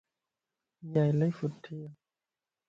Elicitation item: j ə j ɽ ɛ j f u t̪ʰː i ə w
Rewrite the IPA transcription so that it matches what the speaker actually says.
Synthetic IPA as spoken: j a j l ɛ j f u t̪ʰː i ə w